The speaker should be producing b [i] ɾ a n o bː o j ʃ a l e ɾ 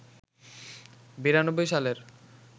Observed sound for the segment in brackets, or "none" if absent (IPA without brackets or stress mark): i